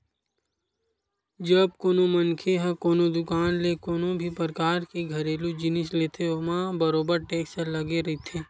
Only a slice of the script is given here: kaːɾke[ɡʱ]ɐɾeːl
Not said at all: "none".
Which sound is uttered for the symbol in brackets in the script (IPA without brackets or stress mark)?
ɡʱ